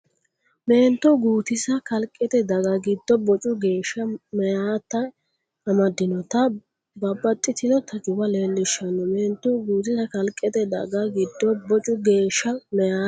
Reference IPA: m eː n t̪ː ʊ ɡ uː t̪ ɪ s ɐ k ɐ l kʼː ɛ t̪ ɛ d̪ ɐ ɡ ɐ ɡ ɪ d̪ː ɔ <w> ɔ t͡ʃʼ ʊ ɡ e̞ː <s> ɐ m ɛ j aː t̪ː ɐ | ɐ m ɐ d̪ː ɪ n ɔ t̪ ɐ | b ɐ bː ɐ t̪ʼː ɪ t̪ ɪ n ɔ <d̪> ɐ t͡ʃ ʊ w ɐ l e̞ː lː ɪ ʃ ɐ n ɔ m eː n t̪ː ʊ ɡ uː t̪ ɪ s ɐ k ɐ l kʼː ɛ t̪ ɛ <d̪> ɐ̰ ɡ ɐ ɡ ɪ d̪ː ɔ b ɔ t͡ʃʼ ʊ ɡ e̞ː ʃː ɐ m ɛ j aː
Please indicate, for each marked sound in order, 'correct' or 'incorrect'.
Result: incorrect, incorrect, incorrect, correct

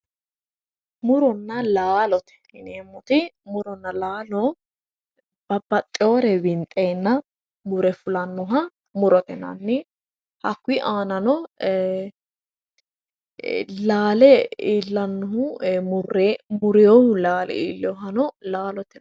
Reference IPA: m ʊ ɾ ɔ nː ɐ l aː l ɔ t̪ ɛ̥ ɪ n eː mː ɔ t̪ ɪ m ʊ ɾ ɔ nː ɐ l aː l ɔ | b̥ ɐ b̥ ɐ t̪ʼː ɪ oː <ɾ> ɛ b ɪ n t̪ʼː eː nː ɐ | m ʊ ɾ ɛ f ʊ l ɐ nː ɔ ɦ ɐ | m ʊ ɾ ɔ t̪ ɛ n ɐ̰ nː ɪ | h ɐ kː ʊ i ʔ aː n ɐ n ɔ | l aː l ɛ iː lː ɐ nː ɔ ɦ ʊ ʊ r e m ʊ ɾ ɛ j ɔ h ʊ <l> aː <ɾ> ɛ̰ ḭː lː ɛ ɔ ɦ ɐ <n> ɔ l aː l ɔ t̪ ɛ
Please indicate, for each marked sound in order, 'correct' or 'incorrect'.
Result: correct, correct, incorrect, correct

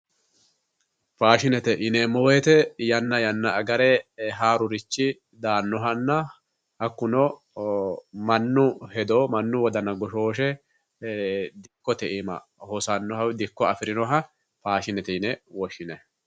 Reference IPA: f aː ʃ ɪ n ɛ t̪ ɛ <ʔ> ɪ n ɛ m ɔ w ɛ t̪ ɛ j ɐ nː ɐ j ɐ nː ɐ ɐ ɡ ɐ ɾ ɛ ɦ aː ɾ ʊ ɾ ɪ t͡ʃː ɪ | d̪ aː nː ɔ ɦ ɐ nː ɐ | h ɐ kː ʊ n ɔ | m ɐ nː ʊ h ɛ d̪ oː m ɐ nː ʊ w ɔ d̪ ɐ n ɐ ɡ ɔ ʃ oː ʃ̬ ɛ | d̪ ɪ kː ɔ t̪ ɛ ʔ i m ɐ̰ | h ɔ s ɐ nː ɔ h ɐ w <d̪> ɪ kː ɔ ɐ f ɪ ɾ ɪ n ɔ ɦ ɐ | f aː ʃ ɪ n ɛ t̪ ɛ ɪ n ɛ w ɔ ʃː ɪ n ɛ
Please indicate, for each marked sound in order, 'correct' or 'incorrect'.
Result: correct, correct

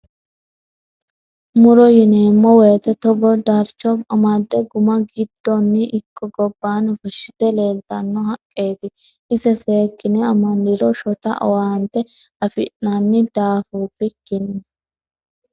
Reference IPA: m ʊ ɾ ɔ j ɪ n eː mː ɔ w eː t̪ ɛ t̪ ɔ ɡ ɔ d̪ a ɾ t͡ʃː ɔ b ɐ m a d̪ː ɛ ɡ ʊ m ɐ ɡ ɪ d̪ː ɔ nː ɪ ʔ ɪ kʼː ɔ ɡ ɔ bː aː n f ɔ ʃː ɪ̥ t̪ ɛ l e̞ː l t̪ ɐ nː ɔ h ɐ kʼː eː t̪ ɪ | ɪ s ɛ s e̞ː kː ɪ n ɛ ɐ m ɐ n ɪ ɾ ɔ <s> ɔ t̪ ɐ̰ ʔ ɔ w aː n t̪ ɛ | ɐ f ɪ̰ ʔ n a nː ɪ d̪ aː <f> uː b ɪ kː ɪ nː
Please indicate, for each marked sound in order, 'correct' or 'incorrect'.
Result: incorrect, correct

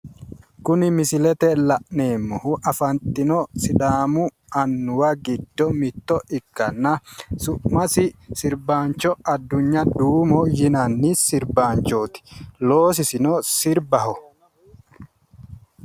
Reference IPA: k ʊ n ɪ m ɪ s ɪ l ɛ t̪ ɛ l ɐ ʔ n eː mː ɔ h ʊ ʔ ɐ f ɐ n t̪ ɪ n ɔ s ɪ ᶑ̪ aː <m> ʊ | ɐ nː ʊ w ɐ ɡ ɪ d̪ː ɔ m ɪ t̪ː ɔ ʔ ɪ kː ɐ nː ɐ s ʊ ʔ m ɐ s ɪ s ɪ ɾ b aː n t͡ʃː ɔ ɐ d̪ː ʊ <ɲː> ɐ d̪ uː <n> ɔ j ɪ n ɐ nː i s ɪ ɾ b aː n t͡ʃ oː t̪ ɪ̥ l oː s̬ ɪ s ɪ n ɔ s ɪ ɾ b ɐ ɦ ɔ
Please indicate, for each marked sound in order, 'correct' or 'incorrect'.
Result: correct, correct, incorrect

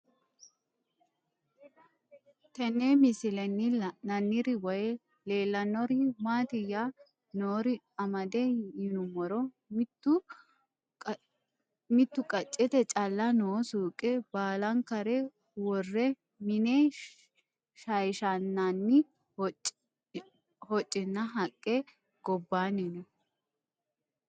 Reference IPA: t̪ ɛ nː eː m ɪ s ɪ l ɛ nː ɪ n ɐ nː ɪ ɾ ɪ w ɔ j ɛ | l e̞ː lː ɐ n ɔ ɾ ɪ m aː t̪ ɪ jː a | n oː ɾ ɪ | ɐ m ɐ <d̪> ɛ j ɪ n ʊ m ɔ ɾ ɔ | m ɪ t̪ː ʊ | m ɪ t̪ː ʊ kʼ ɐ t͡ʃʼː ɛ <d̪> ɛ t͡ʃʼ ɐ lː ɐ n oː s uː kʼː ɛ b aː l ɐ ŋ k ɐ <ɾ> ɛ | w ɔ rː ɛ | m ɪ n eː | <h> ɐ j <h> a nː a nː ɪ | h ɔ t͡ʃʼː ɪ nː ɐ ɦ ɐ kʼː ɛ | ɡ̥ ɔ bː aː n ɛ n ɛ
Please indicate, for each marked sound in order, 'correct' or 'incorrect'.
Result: correct, incorrect, correct, incorrect, incorrect

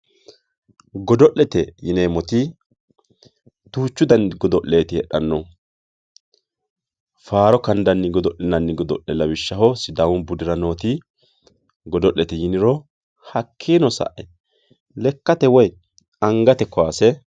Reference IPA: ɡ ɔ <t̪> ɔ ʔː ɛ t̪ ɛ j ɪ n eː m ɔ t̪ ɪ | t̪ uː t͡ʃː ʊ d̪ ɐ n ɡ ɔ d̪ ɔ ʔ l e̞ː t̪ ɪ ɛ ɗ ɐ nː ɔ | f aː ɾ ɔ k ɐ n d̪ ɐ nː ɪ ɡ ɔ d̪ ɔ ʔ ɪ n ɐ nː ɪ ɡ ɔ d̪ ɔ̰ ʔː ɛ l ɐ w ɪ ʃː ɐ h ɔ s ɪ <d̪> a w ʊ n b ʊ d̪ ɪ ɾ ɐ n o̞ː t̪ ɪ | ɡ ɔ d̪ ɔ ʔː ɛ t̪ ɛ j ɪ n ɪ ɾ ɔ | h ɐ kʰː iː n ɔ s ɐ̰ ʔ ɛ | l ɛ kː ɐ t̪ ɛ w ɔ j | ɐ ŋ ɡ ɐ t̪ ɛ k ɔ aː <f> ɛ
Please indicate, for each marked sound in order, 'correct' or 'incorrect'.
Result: incorrect, correct, incorrect

